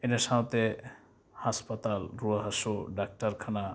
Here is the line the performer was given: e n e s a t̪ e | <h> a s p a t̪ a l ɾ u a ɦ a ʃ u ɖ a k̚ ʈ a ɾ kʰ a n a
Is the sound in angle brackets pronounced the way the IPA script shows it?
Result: yes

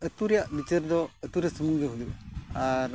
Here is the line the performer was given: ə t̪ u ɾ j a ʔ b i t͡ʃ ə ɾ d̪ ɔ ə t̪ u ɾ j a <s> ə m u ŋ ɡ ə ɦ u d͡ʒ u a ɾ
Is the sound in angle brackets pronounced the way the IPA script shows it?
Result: yes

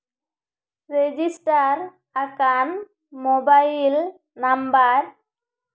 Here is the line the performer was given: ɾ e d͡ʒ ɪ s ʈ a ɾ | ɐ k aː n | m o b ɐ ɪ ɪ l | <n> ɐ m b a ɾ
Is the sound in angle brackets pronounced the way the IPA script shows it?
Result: yes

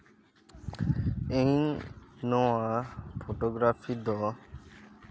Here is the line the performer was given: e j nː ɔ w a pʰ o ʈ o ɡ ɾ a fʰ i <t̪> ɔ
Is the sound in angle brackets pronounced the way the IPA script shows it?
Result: no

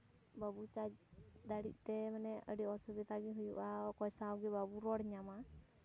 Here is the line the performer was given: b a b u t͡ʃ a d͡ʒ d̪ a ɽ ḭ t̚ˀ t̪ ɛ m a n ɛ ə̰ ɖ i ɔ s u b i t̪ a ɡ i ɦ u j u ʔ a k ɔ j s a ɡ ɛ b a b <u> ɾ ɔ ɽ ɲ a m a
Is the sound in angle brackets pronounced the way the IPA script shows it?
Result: yes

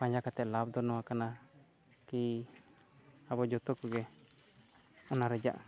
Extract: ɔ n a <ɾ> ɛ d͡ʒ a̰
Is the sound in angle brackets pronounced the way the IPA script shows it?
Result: yes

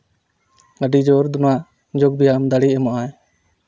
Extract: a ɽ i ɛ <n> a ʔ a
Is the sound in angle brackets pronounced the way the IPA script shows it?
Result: no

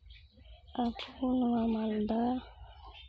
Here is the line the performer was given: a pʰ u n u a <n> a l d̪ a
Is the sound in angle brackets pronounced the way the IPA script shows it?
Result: no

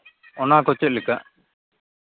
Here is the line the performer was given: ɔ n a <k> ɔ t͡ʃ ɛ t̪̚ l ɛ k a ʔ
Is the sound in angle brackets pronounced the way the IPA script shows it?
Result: yes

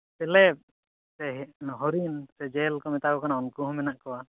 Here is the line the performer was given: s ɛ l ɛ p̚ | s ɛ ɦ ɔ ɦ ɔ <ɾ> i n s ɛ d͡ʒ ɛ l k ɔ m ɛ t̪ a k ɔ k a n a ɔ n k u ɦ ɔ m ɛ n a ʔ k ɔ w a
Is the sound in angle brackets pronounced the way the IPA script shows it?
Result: yes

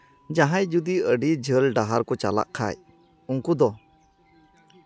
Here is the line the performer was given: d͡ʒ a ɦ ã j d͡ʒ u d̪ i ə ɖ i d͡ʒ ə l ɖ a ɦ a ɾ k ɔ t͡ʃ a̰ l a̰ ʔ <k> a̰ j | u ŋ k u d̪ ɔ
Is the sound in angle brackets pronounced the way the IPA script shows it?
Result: no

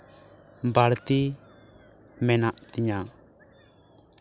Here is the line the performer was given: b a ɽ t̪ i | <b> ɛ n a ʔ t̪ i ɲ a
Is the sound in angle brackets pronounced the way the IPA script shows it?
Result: no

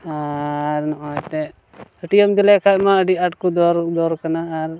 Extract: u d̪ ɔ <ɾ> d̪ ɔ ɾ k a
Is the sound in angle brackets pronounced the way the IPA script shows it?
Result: yes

